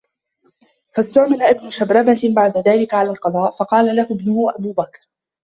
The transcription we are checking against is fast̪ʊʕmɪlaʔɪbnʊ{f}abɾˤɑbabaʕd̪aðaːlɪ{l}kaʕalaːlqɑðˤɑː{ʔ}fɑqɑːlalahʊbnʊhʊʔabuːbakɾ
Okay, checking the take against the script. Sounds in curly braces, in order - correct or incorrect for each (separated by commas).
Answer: incorrect, incorrect, correct